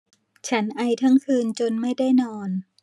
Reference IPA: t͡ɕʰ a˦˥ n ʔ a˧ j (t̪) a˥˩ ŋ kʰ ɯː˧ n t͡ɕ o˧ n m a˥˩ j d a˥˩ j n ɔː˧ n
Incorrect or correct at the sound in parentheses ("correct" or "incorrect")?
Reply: incorrect